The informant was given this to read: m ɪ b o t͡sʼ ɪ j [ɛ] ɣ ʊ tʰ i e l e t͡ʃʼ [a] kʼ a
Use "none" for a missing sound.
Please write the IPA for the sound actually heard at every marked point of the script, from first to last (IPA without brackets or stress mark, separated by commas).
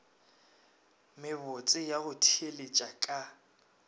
a, a